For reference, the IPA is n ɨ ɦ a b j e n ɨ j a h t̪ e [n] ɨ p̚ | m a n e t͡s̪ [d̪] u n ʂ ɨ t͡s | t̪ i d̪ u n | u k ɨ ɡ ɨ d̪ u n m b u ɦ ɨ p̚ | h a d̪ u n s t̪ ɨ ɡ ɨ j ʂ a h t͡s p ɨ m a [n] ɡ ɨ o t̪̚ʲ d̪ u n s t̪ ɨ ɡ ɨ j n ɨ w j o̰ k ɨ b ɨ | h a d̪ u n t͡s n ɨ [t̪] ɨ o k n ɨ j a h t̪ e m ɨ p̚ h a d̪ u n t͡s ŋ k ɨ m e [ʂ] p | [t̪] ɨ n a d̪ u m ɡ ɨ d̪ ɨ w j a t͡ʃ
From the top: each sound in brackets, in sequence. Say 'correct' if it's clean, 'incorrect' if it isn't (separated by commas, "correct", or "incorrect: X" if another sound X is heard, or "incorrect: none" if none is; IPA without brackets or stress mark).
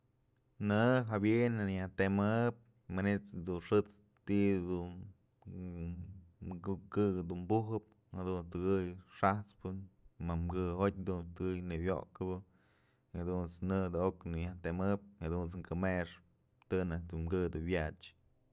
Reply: incorrect: m, correct, incorrect: m, incorrect: d̪, correct, correct